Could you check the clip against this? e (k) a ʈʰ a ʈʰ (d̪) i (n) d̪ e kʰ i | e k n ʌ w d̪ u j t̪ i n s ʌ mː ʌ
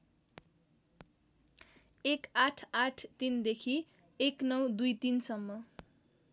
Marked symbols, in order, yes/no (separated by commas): yes, no, yes